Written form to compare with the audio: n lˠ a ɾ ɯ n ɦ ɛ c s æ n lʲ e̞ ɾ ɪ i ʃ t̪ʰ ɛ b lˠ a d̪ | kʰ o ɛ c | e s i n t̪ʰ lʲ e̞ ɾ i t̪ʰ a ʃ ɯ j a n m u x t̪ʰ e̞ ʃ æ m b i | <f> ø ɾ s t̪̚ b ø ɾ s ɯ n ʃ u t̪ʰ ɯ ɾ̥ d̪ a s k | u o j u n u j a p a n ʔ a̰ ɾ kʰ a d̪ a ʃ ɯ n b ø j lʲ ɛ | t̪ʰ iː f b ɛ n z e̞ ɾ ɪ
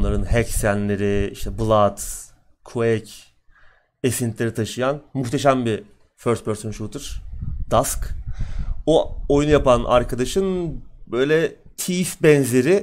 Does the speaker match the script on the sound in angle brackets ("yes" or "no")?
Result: yes